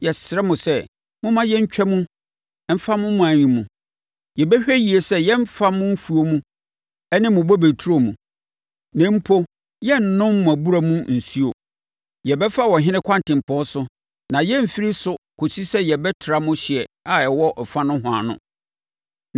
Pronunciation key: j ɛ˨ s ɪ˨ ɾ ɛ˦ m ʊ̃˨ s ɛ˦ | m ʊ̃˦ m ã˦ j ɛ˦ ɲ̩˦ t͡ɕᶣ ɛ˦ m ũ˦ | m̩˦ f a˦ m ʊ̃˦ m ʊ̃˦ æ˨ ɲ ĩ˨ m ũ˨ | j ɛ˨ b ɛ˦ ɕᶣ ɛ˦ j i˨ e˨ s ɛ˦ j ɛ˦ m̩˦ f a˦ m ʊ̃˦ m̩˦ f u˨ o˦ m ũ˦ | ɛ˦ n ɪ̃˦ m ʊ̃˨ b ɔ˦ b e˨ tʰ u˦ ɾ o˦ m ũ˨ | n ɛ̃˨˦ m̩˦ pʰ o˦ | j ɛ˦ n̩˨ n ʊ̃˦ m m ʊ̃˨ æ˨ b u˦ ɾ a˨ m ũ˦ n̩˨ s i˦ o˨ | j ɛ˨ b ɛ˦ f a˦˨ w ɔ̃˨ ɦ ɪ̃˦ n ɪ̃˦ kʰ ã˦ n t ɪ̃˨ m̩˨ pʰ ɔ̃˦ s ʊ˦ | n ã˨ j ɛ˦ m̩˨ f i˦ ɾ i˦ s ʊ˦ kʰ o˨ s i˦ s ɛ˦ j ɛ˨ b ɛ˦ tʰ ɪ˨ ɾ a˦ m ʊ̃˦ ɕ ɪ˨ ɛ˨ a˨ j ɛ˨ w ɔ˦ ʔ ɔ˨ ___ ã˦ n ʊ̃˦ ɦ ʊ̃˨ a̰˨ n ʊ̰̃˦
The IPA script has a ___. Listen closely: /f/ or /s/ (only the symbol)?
f